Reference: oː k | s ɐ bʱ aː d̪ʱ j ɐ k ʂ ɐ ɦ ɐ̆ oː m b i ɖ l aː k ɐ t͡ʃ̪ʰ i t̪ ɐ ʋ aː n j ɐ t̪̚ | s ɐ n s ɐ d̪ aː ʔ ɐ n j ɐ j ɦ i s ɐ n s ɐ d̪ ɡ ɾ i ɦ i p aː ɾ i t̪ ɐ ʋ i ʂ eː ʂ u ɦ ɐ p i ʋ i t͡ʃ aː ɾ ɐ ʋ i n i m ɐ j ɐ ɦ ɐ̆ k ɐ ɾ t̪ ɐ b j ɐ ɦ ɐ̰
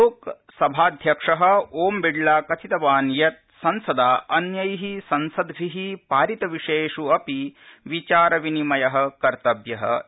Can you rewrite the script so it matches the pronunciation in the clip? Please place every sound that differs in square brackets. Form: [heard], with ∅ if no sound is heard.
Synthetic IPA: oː k | s ɐ bʱ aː d̪ʱ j ɐ k ʂ ɐ ɦ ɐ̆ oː m b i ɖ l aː k ɐ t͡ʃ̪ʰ i t̪ ɐ ʋ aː n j ɐ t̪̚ | s ɐ n s ɐ d̪ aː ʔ ɐ n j ɐ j ɦ i s ɐ n s ɐ d̪ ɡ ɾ i ɦ i p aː ɾ i t̪ ɐ ʋ i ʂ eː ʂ u [∅] ɐ p i ʋ i t͡ʃ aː ɾ ɐ ʋ i n i m ɐ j ɐ ɦ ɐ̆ k ɐ ɾ t̪ ɐ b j ɐ ɦ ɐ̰

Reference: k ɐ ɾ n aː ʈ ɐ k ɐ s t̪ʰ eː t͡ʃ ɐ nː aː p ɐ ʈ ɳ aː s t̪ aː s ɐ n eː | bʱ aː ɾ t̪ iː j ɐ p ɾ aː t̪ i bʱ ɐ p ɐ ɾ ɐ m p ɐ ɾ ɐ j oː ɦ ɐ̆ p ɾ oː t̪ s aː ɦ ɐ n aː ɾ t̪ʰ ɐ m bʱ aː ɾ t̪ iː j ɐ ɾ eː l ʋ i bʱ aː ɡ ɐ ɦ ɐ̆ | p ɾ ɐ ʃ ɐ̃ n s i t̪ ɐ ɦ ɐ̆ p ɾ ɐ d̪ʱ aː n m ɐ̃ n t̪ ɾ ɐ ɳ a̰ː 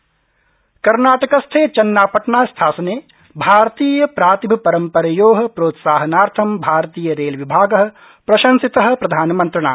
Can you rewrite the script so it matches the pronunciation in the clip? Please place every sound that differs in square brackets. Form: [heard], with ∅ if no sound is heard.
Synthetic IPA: k ɐ ɾ n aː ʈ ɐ k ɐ s t̪ʰ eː t͡ʃ ɐ nː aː p ɐ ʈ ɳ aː s [t̪ʰ] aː s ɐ n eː | bʱ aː ɾ t̪ iː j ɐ p ɾ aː t̪ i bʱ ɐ p ɐ ɾ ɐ m p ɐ ɾ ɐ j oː ɦ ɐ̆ p ɾ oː t̪ s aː ɦ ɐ n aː ɾ t̪ʰ ɐ m bʱ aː ɾ t̪ iː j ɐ ɾ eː l ʋ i bʱ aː ɡ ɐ ɦ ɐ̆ | p ɾ ɐ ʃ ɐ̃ n s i t̪ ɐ ɦ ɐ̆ p ɾ ɐ d̪ʱ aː n m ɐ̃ n t̪ ɾ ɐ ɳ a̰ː

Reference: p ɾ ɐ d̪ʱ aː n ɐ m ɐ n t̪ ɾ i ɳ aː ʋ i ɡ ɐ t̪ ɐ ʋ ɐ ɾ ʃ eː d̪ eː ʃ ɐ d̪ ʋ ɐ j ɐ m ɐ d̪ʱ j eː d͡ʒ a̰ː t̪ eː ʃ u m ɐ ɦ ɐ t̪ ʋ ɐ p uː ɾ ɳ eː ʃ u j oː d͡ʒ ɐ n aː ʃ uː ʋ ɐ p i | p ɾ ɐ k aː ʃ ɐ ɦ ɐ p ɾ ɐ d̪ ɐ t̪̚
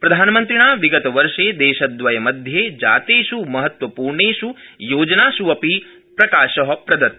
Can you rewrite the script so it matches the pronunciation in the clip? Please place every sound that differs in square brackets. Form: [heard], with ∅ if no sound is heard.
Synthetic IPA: p ɾ ɐ d̪ʱ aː n ɐ m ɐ n t̪ ɾ i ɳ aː ʋ i ɡ ɐ t̪ ɐ ʋ ɐ ɾ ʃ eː d̪ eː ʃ ɐ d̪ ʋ ɐ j ɐ m ɐ d̪ʱ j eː d͡ʒ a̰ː t̪ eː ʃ u m ɐ ɦ ɐ t̪ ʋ ɐ p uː ɾ ɳ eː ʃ u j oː d͡ʒ ɐ n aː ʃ [u] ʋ ɐ p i | p ɾ ɐ k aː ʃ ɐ ɦ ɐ p ɾ ɐ d̪ ɐ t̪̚

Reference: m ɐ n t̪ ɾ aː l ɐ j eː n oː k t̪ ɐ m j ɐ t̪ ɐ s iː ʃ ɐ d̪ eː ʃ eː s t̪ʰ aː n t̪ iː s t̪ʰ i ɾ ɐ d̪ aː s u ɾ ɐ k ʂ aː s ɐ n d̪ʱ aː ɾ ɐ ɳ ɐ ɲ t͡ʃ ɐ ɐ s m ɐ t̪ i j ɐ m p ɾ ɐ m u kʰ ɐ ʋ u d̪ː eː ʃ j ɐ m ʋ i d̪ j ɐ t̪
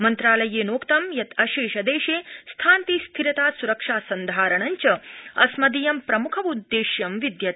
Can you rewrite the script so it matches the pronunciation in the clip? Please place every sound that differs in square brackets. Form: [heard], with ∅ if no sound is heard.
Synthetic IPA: m ɐ n t̪ ɾ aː l ɐ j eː n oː k t̪ ɐ m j ɐ t̪ ɐ [ʃ] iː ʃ ɐ d̪ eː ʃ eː s t̪ʰ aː n t̪ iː s t̪ʰ i ɾ ɐ [t̪] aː s u ɾ ɐ k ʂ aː s ɐ n d̪ʱ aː ɾ ɐ ɳ ɐ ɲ t͡ʃ ɐ ɐ s m ɐ [d̪] i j ɐ m p ɾ ɐ m u kʰ ɐ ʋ u d̪ː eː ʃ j ɐ m ʋ i d̪ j ɐ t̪

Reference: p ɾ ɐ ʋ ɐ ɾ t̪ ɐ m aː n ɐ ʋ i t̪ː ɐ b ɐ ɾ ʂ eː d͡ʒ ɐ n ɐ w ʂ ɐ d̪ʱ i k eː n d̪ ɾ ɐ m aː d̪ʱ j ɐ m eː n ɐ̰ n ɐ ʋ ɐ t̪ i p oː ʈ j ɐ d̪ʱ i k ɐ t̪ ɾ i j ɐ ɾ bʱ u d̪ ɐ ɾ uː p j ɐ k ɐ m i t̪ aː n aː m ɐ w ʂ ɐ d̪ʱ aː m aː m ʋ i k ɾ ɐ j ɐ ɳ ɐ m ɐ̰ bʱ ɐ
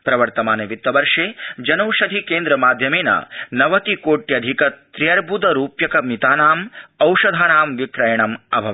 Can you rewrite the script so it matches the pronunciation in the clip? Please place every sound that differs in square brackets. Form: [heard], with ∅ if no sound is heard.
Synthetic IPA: p ɾ ɐ ʋ ɐ ɾ t̪ ɐ m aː n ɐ ʋ i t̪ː ɐ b ɐ ɾ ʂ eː d͡ʒ ɐ n ɐ w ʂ ɐ d̪ʱ i k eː n d̪ ɾ ɐ m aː d̪ʱ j ɐ m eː n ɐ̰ n ɐ ʋ ɐ t̪ i [k] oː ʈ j ɐ d̪ʱ i k ɐ t̪ ɾ i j ɐ ɾ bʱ u d̪ ɐ ɾ uː p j ɐ k ɐ m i t̪ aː n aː m ɐ w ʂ ɐ d̪ʱ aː [n] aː m ʋ i k ɾ ɐ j ɐ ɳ ɐ m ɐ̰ bʱ ɐ

